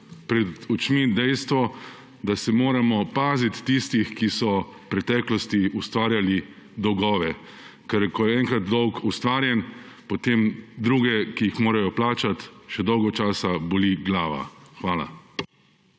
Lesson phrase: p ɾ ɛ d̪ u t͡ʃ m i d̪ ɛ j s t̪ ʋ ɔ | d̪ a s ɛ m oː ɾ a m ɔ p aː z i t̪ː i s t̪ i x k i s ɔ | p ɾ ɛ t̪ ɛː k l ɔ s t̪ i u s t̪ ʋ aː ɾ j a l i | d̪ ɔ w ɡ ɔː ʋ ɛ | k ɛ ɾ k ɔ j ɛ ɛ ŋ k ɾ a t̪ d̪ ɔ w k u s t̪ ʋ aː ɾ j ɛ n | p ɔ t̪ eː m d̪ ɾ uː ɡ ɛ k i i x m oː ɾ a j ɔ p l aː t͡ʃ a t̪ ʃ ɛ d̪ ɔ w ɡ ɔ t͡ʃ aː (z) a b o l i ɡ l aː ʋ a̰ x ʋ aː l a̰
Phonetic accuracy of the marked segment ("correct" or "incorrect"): incorrect